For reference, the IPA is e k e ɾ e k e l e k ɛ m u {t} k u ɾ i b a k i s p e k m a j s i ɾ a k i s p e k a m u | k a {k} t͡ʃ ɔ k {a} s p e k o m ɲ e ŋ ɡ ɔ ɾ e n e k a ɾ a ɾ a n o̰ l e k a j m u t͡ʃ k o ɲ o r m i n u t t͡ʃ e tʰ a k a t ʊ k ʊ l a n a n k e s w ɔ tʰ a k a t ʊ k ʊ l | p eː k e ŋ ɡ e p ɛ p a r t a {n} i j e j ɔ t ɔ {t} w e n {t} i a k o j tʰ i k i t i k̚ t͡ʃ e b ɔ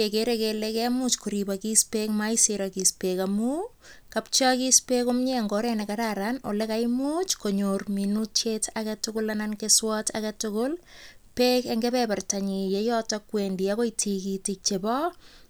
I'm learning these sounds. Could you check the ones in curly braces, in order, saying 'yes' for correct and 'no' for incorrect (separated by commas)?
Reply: no, no, no, no, no, no